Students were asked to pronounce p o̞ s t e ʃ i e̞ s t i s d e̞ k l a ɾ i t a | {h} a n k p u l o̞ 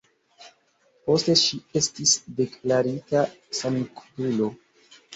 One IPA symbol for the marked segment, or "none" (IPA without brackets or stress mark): s